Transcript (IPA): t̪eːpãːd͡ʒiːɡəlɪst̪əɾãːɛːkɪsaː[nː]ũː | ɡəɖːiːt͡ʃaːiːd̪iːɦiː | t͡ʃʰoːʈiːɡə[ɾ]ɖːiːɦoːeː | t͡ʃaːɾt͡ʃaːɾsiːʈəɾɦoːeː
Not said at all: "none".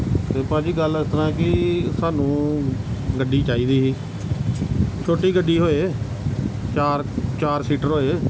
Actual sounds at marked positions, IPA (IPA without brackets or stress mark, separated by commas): n, none